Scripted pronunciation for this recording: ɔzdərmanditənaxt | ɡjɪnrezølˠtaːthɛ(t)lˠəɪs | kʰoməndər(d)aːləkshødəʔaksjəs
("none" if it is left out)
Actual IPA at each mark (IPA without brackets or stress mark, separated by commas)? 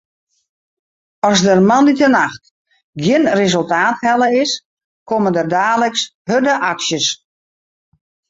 none, d